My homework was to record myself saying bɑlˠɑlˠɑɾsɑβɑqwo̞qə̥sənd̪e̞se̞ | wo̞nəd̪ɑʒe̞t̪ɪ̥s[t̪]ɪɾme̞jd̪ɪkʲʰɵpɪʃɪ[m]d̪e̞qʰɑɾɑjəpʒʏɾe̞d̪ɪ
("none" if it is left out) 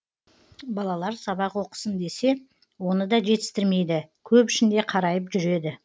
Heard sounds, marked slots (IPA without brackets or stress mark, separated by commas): t̪, n